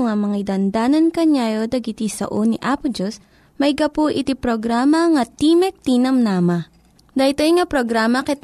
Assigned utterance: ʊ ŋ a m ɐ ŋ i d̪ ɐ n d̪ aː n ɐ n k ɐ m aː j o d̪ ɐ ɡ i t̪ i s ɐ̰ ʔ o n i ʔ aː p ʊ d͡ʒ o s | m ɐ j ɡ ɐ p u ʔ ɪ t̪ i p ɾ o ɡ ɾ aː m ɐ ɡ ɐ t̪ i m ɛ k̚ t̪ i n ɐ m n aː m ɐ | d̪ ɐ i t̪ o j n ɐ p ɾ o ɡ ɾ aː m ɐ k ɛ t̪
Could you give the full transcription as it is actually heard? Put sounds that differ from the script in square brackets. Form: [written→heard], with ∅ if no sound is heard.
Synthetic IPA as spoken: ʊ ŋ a m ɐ ŋ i d̪ ɐ n d̪ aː n ɐ n k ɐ [m→ɲ] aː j o d̪ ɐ ɡ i t̪ i s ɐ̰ ʔ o n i ʔ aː p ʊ d͡ʒ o s | m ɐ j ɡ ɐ p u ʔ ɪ t̪ i p ɾ o ɡ ɾ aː m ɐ [ɡ→ŋ] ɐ t̪ i m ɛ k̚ t̪ i n ɐ m n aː m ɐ | d̪ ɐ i t̪ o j [n→ŋ] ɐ p ɾ o ɡ ɾ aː m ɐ k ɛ t̪